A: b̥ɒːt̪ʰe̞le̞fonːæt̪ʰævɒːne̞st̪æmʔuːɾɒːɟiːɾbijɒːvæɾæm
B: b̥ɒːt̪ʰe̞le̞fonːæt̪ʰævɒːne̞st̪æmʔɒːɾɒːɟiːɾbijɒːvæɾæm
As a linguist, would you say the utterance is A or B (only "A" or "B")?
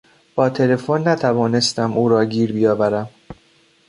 A